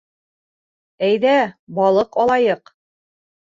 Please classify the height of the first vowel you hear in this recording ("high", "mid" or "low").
low